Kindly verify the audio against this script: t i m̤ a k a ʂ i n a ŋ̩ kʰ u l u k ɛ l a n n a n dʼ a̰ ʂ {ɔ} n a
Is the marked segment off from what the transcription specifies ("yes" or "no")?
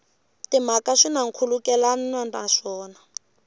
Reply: yes